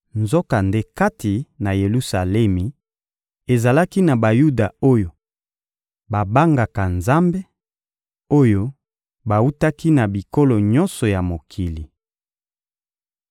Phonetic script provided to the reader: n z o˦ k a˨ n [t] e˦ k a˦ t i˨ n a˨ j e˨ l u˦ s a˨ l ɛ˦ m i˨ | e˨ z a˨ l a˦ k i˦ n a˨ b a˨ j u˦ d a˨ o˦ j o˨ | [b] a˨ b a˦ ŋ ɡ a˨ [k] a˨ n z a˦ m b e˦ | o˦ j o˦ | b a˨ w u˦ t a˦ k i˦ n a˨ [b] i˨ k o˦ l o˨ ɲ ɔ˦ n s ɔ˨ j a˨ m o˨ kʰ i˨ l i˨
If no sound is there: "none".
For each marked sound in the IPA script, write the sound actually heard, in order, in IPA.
d, b, k, b

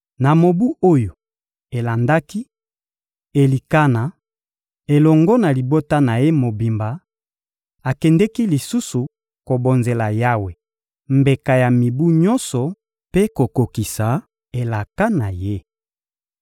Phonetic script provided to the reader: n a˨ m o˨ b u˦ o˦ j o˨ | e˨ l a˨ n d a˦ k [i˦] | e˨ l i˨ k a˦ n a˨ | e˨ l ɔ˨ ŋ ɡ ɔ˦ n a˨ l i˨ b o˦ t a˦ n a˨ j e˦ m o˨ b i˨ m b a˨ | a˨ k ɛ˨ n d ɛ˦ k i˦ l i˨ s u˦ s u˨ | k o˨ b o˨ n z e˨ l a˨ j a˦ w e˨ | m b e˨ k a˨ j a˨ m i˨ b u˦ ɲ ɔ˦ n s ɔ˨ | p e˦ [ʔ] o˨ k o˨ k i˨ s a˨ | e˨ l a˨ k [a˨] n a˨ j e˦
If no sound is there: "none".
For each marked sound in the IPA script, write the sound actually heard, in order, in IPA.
i˦, k, a˦

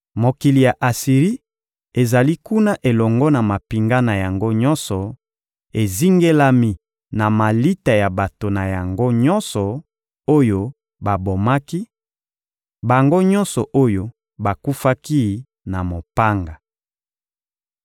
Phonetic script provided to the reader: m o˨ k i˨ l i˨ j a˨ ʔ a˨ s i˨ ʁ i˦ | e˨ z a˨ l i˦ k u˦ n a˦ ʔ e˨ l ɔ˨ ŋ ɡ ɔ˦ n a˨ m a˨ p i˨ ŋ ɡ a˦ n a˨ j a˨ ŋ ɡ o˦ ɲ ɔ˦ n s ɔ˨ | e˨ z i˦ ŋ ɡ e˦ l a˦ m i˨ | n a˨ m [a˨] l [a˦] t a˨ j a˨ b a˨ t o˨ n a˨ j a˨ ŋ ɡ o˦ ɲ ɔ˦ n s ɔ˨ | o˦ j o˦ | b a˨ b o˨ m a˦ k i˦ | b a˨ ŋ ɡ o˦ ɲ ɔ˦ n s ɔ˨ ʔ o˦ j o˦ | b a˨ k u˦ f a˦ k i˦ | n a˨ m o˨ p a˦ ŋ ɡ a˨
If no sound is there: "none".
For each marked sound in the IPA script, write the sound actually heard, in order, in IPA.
a˨, i˦

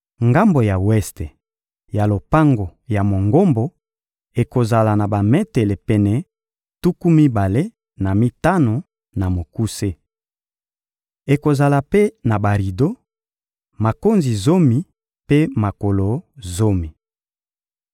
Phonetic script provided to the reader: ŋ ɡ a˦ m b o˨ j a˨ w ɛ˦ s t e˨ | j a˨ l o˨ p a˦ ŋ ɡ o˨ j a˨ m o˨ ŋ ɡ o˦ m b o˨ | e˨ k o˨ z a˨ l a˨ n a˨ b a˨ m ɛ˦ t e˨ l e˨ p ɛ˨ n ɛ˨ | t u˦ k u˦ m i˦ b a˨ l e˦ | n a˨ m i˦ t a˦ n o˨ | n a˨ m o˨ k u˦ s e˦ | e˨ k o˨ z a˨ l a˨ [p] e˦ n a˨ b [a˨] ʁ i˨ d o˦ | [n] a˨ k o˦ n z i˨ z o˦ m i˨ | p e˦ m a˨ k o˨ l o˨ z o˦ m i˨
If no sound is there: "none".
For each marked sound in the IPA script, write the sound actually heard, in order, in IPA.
p, a˨, m

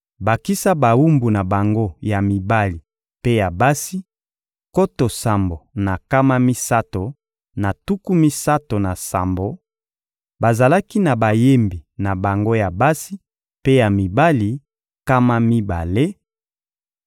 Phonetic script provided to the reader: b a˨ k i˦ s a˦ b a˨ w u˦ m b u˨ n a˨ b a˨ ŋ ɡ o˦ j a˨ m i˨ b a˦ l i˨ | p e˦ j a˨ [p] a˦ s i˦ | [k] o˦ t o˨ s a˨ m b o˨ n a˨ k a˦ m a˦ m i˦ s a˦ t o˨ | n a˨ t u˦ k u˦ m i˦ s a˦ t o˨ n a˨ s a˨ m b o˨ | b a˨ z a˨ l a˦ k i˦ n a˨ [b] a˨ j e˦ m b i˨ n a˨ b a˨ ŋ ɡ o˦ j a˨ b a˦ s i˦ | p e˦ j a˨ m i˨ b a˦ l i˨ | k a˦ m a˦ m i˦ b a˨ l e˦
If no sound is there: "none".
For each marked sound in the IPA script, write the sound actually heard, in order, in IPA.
b, k, b

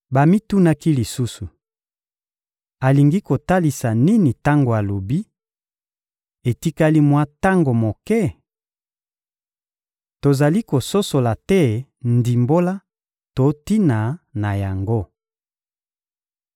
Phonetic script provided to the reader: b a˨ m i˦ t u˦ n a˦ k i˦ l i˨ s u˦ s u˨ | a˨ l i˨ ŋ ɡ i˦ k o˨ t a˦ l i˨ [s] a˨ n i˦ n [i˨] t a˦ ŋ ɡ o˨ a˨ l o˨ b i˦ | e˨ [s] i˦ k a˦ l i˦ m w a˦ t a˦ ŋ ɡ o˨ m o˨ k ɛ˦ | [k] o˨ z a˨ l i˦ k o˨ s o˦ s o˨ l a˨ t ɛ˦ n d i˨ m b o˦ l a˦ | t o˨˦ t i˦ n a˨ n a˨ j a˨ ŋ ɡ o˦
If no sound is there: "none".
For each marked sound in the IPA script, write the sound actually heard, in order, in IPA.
s, i˨, t, t

